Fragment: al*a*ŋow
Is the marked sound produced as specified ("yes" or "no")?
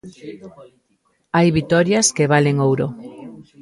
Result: no